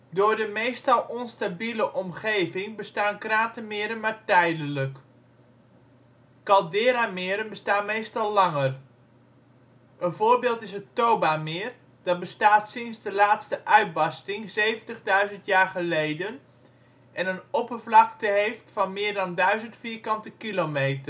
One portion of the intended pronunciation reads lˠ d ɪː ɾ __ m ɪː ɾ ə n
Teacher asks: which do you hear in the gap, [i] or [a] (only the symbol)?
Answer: a